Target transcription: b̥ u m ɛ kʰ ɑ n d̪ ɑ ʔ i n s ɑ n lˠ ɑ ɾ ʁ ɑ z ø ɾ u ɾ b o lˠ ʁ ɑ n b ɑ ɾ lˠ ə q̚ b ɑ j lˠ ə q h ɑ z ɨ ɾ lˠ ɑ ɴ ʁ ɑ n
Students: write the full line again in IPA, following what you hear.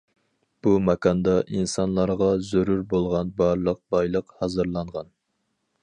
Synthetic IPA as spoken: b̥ u m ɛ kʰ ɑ n d̪ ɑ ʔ i n s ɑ n lˠ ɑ ɾ ʁ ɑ z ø ɾ u ɾ b o lˠ ʁ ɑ n b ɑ ɾ lˠ ə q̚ b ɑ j lˠ ə q h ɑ z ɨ ɾ lˠ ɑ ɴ ʁ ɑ n